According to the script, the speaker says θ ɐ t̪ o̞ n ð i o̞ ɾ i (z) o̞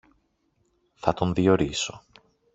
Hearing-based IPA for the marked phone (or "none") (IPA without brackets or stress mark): s